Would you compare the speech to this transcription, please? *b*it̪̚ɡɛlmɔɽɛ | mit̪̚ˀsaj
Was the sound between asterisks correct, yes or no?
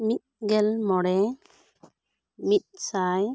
no